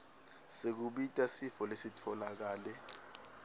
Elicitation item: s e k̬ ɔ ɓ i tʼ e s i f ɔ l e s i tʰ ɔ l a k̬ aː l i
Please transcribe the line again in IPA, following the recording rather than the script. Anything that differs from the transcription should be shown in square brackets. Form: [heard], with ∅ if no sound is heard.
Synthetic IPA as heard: s e k̬ [u] ɓ i tʼ [a] s i f ɔ l e s i tʰ ɔ l a k̬ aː l [ɛ]